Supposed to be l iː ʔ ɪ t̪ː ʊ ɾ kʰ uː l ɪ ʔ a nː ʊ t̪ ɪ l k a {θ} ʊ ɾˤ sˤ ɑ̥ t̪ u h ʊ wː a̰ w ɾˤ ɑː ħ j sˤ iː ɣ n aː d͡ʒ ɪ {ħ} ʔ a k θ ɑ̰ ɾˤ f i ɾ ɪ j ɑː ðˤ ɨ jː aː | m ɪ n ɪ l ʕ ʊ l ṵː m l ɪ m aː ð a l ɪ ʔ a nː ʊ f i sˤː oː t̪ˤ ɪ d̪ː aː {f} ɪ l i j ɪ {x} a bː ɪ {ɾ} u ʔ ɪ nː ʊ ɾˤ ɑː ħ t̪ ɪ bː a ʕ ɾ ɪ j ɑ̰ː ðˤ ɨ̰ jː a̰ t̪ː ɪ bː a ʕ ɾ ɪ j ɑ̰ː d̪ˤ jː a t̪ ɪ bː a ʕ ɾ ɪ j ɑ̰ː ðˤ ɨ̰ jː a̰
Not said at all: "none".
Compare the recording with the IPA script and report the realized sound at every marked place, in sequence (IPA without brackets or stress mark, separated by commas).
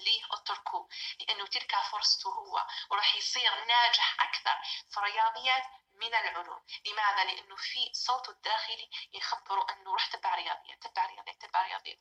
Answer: f, ħ, x, x, ɾ